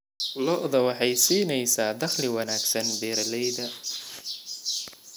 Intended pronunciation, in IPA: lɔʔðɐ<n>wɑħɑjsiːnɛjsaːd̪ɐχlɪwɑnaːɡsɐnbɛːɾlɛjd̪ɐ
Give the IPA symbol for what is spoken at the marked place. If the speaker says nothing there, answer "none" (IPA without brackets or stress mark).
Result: none